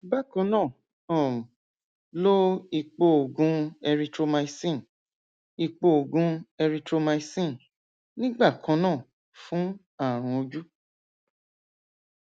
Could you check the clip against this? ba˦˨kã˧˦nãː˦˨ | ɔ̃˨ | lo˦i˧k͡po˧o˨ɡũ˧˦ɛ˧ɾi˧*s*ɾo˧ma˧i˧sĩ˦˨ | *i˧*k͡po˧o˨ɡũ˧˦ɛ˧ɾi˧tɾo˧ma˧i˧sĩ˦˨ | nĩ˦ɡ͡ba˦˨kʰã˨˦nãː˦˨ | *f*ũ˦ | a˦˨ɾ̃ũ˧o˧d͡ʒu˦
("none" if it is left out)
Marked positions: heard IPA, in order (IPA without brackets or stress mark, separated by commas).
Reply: t, i˧, f